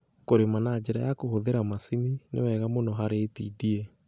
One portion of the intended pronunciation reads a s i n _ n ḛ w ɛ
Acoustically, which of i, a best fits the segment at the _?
i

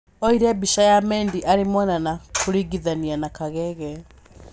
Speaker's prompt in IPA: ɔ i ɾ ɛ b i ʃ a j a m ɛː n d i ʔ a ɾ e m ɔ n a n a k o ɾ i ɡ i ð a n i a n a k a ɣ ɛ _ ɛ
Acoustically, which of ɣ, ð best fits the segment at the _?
ɣ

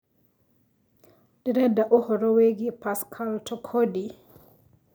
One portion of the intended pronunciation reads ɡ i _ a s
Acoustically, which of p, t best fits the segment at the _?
p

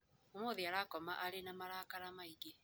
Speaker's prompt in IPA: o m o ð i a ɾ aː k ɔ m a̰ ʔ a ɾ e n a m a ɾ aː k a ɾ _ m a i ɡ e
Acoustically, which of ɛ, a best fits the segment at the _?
a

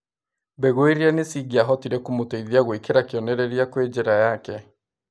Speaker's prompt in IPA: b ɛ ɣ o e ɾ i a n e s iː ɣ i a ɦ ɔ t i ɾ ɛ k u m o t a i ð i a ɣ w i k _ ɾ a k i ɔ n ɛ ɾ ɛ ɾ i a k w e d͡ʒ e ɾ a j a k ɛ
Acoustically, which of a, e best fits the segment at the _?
e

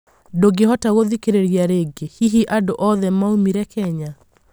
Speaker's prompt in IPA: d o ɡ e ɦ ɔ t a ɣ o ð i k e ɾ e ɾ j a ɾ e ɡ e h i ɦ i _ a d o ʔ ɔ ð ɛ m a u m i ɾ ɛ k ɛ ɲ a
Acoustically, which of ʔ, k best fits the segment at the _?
ʔ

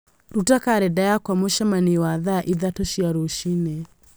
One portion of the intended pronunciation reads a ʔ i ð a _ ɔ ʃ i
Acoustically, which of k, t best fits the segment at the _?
t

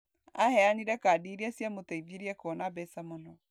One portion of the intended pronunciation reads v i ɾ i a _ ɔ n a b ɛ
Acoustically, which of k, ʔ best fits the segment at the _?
k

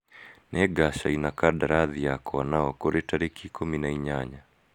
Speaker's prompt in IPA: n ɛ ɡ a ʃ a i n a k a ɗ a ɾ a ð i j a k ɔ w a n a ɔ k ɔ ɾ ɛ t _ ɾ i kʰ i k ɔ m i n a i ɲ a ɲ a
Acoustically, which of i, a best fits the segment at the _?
a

